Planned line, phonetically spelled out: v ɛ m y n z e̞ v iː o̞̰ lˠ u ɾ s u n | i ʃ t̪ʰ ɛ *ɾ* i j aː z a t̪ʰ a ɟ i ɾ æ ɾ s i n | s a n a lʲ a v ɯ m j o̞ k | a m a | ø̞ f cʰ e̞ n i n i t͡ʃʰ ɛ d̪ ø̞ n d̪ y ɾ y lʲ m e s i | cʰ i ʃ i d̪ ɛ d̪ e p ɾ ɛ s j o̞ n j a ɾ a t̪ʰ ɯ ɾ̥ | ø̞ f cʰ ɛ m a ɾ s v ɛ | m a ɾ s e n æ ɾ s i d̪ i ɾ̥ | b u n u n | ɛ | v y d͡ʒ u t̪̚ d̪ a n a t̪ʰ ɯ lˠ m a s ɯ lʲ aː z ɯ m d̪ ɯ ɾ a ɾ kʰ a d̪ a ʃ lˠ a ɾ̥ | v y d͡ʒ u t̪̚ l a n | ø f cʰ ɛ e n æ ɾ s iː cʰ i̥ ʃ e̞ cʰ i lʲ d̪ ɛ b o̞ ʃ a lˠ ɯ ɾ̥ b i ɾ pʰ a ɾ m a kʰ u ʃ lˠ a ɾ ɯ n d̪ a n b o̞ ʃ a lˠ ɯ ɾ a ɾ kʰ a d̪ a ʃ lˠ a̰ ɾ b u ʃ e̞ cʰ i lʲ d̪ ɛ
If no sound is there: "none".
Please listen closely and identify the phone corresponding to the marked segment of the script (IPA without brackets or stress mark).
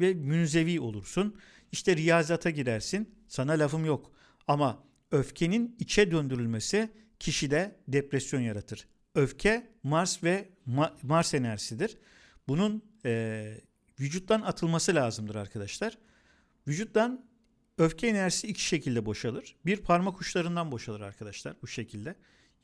ɾ